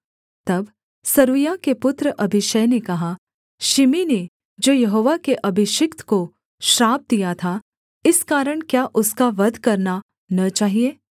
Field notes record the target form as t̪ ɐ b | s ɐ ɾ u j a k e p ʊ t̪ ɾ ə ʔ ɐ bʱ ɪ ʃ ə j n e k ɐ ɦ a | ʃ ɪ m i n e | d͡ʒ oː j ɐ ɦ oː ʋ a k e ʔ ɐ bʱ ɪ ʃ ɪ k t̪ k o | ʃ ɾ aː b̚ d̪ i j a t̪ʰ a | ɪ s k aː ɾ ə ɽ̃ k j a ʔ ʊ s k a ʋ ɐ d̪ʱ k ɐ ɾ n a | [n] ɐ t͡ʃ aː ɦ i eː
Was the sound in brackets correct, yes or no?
yes